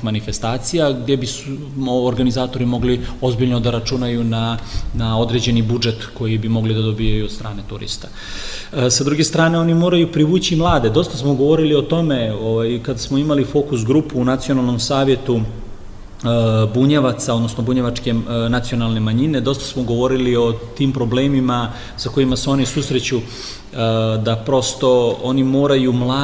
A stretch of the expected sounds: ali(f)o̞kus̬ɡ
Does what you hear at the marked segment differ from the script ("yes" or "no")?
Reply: no